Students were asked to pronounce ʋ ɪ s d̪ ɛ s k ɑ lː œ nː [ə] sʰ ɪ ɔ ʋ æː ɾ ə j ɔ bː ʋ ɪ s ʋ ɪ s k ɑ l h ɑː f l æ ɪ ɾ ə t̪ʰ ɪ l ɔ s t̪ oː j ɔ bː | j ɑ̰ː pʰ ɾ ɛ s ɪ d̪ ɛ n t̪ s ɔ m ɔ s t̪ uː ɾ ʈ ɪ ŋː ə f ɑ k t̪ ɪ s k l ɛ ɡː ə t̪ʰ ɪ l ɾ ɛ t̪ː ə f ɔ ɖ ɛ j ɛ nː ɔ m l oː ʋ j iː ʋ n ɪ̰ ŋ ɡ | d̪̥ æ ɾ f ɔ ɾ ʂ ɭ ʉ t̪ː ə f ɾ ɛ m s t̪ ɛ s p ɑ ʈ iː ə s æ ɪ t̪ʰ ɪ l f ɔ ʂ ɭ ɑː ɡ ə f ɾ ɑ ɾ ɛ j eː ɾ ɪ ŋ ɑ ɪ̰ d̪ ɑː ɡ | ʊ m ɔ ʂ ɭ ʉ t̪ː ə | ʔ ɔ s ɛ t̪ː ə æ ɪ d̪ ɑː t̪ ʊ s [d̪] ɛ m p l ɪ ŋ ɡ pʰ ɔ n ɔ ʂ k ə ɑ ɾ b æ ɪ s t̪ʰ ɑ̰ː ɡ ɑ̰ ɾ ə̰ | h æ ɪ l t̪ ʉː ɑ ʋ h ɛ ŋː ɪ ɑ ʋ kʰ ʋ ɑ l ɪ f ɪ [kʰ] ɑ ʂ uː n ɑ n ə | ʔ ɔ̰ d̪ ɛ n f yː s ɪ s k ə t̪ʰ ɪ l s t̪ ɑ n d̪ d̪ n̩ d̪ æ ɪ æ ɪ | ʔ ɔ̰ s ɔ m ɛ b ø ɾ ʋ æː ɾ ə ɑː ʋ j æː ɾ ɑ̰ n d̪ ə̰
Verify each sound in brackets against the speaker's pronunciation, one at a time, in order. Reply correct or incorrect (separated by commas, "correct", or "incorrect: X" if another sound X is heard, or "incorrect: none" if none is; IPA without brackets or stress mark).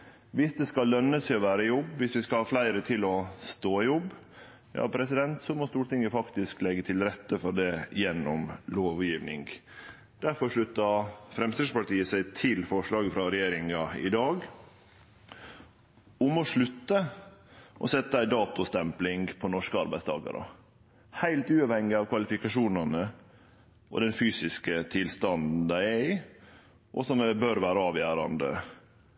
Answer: correct, incorrect: t̪, incorrect: k